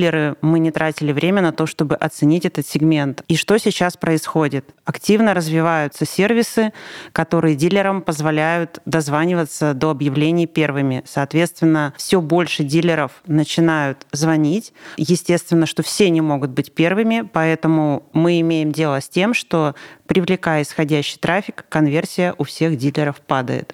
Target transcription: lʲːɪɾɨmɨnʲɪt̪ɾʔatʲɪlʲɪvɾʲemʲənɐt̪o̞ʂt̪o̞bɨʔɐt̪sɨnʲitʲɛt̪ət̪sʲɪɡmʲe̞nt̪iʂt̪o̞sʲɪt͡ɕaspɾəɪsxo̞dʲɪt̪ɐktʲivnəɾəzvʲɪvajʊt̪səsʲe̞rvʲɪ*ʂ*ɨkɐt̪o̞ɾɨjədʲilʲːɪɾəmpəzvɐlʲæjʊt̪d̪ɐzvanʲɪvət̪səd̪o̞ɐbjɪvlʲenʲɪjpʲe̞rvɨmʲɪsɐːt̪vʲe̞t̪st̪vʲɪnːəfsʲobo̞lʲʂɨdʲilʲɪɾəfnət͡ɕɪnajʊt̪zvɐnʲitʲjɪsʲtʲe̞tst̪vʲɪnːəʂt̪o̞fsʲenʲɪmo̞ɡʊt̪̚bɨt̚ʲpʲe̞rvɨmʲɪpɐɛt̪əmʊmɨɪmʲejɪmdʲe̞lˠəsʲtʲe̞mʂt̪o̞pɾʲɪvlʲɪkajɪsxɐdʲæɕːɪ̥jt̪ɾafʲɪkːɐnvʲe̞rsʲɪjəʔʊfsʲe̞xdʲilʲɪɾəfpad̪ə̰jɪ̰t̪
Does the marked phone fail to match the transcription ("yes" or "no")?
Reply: yes